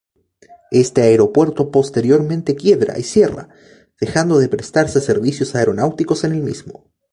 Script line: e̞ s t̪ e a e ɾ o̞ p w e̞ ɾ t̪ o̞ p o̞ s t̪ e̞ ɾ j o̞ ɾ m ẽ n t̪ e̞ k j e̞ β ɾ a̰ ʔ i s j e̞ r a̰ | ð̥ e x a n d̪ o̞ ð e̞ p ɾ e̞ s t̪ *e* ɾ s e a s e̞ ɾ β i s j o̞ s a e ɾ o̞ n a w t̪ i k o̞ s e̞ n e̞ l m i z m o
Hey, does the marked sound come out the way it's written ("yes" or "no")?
no